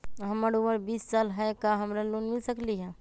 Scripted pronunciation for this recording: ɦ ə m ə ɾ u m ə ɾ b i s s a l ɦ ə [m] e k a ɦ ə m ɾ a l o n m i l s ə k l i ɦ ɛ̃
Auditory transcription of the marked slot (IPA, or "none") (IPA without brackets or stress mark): none